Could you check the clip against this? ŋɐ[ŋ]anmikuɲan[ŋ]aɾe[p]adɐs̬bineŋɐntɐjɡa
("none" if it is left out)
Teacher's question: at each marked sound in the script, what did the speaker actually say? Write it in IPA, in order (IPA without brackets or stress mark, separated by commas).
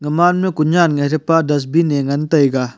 m, ŋ, p